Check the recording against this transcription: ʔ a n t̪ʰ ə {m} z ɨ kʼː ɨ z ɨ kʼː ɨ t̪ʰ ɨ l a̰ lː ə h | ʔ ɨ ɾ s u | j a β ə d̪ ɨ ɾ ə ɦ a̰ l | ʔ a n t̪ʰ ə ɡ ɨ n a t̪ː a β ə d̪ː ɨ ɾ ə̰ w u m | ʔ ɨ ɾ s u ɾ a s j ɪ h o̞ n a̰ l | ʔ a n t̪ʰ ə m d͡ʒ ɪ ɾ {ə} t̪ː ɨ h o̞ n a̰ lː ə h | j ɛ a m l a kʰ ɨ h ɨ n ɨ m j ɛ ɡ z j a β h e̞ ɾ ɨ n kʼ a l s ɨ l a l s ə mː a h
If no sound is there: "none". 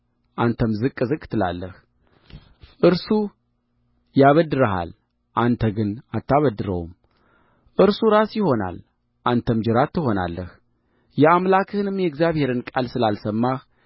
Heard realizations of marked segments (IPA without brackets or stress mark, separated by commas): m, a